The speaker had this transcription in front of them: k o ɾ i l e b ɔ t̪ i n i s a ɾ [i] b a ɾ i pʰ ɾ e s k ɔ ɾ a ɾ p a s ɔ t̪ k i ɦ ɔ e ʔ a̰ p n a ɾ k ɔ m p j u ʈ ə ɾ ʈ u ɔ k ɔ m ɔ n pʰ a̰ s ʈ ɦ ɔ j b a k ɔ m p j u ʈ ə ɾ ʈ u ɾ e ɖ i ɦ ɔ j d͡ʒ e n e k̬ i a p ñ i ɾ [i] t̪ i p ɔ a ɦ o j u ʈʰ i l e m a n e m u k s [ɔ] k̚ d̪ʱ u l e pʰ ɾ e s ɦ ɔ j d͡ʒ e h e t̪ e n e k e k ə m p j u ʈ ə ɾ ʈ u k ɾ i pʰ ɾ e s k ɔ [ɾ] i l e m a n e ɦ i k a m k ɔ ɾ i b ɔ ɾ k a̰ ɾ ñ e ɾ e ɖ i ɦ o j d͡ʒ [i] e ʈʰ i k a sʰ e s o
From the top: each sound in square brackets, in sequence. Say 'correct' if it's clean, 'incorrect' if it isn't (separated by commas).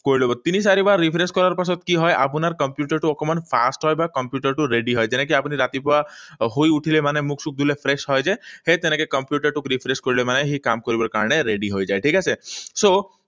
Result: correct, incorrect, incorrect, correct, incorrect